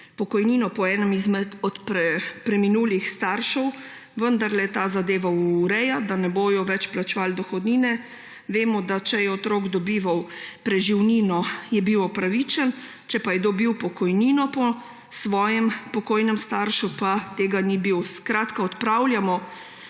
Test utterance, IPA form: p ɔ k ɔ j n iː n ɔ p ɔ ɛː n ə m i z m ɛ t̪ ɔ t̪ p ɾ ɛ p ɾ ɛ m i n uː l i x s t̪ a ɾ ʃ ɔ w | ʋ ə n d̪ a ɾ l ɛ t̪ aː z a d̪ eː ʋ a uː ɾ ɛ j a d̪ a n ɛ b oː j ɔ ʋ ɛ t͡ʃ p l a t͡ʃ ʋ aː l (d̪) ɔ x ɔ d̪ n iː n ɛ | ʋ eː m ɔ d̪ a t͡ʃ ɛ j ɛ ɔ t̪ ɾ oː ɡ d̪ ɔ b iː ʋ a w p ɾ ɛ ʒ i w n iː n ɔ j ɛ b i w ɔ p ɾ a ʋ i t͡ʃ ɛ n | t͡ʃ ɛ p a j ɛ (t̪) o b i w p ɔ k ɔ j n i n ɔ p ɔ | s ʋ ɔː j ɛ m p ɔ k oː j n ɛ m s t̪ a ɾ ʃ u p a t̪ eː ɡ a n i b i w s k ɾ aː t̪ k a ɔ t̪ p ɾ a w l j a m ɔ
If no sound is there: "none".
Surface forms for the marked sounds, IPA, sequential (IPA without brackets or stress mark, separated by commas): d̪, d̪